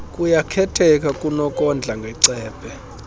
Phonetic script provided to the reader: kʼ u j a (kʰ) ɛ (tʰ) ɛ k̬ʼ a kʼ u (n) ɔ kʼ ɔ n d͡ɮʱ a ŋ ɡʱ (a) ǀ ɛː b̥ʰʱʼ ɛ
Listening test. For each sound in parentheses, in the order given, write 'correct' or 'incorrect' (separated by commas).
correct, correct, correct, incorrect